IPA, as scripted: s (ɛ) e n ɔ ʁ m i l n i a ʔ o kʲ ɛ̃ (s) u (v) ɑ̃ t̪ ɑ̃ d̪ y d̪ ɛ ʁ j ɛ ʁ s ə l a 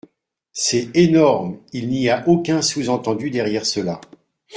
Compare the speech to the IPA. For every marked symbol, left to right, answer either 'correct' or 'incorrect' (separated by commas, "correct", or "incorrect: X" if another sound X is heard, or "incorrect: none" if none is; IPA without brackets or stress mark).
correct, correct, incorrect: z